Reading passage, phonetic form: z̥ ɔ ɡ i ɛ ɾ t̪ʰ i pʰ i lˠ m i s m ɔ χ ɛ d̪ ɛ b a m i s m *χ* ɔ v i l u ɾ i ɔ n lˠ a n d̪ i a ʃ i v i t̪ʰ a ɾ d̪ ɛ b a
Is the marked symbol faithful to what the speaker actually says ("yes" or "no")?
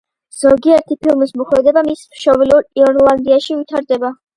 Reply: no